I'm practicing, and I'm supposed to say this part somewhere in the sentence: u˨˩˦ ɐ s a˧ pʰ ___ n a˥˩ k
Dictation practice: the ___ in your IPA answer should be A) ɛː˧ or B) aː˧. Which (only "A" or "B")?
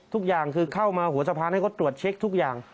B